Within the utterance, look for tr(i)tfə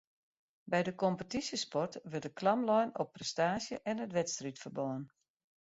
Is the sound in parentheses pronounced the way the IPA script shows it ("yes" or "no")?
yes